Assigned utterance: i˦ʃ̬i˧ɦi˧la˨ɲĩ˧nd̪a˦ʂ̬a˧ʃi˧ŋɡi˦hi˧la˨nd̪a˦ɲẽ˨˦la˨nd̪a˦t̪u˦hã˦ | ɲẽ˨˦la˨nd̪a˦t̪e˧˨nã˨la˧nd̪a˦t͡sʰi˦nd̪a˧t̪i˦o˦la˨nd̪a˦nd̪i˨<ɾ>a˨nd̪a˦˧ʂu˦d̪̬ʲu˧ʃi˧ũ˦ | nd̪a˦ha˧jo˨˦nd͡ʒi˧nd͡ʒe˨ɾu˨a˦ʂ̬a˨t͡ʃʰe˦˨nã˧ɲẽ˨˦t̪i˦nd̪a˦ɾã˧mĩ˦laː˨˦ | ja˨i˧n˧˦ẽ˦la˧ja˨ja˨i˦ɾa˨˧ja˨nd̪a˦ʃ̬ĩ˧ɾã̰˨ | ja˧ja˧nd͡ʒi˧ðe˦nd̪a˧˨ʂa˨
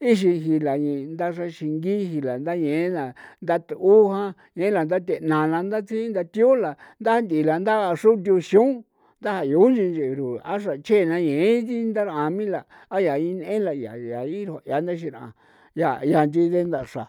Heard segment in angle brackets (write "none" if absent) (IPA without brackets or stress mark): l